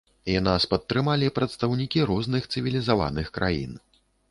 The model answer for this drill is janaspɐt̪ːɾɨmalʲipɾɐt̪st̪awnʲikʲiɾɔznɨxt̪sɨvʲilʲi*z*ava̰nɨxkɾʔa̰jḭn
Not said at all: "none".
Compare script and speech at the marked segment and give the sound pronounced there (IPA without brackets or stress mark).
z